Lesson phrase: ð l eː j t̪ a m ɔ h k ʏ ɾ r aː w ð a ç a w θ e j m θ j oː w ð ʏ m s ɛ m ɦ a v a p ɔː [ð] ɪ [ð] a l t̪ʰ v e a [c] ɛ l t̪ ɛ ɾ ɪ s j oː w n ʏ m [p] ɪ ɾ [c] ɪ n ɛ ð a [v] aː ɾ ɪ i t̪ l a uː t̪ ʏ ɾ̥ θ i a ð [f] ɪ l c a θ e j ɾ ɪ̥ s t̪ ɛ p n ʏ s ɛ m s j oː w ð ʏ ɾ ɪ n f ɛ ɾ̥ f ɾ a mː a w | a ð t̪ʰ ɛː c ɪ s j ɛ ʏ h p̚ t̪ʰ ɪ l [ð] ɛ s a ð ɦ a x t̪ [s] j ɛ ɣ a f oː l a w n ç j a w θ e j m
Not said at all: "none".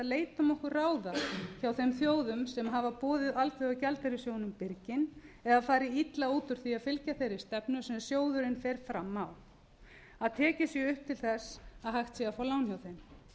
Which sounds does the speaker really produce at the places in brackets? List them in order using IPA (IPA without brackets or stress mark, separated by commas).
ð, ð, c, p, c, f, f, θ, s